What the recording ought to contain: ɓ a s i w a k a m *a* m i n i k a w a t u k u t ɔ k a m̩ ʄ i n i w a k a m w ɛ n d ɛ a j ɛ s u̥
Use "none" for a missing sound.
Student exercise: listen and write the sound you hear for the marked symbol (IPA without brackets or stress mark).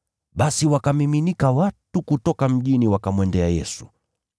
i